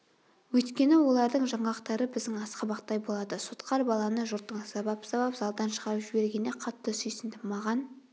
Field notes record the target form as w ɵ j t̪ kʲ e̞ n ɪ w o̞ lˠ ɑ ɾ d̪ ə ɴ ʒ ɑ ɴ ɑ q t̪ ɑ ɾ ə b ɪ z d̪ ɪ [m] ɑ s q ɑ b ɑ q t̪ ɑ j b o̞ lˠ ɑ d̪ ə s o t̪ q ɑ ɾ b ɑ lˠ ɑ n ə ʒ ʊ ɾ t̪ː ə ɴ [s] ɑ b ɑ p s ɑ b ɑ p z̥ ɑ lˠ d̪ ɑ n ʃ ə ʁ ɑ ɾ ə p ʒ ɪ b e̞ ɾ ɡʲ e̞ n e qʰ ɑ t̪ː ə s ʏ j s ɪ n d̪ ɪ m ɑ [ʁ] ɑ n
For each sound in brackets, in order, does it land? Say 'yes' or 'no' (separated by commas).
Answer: no, yes, yes